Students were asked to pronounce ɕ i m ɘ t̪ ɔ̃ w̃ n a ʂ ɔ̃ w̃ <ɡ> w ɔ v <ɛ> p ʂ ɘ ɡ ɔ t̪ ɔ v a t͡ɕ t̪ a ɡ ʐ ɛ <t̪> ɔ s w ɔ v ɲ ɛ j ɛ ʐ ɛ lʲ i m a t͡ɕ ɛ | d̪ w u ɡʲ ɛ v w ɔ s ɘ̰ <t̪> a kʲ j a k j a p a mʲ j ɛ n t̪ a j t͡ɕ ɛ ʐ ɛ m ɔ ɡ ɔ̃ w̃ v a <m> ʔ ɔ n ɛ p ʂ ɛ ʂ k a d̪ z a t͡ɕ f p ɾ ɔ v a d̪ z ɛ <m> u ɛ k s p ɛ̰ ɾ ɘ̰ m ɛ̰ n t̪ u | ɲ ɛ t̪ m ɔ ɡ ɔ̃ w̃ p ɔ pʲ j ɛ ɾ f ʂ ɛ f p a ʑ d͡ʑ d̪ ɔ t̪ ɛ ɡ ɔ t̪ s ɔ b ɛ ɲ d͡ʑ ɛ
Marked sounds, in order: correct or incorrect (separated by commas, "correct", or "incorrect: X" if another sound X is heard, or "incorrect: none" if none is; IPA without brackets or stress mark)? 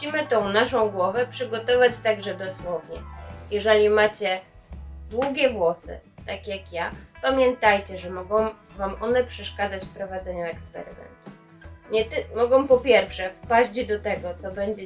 correct, correct, incorrect: d̪, correct, correct, incorrect: ɲ